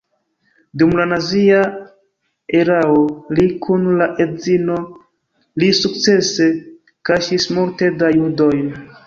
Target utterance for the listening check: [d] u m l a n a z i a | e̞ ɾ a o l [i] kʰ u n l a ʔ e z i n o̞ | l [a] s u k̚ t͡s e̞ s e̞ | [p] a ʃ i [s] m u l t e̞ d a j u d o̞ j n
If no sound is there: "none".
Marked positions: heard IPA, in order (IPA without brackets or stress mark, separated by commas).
d, i, i, k, s